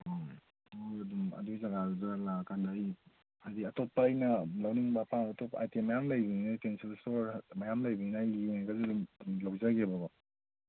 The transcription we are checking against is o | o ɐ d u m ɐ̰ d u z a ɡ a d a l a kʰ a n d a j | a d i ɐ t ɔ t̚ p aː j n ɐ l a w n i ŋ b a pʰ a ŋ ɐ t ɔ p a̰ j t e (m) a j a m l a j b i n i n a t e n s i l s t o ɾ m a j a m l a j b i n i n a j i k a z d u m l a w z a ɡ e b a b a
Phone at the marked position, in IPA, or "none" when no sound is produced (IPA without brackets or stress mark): m